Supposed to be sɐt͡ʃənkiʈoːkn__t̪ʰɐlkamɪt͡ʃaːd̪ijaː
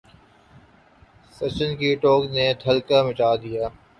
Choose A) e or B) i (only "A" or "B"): A